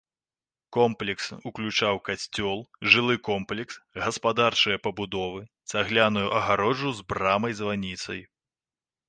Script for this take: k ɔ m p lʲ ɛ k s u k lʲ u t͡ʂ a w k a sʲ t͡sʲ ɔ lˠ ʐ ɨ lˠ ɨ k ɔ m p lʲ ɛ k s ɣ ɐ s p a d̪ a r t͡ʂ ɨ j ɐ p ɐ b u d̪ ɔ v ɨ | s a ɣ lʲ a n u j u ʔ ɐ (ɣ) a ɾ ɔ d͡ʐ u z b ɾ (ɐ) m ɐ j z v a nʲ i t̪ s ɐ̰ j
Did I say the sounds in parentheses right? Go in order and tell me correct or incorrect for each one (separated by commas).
correct, incorrect